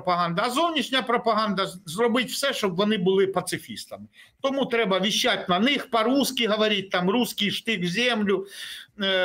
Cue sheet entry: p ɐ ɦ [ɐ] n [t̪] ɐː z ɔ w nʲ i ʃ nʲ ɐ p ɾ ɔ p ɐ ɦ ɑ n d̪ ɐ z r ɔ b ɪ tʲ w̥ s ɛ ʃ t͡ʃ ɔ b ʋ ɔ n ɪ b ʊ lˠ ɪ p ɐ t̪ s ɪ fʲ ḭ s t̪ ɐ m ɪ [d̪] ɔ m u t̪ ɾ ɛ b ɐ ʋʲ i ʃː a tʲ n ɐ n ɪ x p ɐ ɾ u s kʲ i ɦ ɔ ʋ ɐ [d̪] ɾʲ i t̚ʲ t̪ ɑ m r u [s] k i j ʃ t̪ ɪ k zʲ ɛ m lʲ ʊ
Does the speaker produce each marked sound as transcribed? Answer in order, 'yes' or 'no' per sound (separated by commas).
no, no, no, no, yes